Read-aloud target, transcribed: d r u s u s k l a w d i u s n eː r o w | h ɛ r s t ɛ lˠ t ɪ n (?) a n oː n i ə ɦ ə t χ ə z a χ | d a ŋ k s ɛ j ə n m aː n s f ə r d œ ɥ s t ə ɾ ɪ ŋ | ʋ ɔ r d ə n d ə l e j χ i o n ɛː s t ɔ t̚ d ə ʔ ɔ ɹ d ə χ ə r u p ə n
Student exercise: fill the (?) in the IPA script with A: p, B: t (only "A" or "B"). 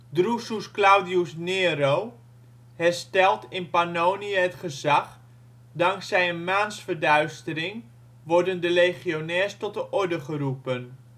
A